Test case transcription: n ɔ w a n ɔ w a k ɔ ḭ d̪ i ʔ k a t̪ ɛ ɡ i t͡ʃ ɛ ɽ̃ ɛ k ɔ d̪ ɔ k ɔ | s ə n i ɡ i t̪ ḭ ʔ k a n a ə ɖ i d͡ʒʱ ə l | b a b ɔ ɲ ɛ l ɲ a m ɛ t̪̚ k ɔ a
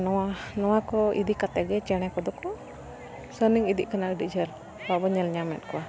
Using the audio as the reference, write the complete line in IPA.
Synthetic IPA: n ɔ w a n ɔ w a k ɔ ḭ d̪ i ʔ k a t̪ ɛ ɡ ɛ t͡ʃ ɛ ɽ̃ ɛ k ɔ d̪ ɔ k ɔ | s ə n i ŋ i d̪ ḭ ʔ k a n a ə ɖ i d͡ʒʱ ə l | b a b ɔ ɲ ɛ l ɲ a m ɛ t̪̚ k ɔ a